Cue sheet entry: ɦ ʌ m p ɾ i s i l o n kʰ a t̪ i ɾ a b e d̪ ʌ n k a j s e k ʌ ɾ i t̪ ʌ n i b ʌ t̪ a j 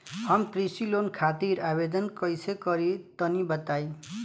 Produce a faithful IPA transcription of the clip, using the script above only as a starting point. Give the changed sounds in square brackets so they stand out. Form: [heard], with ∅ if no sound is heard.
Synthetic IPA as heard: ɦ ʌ m p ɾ i s i l o n kʰ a t̪ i ɾ a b e d̪ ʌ n k [ʌ] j s e k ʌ ɾ i t̪ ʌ n i b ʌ t̪ a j